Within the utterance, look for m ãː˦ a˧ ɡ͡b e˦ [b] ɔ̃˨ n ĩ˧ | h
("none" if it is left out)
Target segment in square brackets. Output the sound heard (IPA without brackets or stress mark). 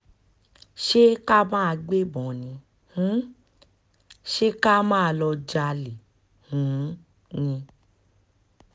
b